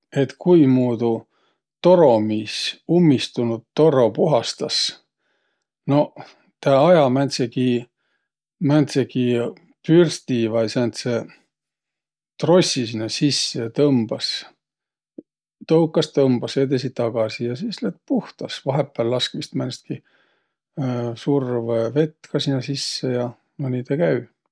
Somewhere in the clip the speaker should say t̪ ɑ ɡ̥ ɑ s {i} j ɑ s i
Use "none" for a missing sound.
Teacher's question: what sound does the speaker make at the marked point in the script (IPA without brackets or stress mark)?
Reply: i